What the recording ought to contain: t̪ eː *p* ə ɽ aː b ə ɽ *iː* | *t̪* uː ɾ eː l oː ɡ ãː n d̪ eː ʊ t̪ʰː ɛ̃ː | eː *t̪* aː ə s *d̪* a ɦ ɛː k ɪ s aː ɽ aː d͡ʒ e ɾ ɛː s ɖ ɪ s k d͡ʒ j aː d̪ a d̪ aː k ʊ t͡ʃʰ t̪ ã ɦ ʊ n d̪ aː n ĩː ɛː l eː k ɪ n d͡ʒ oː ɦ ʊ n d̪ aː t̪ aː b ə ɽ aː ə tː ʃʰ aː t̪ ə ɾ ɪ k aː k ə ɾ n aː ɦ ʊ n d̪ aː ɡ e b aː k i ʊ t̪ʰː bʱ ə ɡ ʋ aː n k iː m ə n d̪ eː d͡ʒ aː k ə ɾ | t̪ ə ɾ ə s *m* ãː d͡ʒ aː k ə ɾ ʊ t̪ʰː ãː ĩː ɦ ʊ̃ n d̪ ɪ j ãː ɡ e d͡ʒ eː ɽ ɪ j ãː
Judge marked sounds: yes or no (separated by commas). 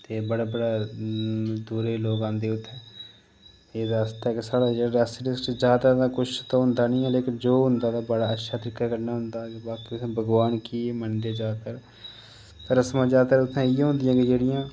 no, no, no, no, no, yes